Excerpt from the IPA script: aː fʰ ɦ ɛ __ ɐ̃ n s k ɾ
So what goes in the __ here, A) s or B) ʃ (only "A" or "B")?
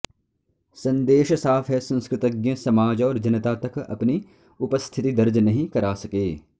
A